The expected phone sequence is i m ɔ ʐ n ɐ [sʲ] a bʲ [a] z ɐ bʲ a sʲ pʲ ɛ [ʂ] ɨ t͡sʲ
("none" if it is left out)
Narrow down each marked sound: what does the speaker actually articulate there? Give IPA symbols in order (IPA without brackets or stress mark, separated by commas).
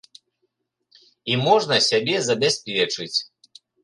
sʲ, ɛ, t͡ʂ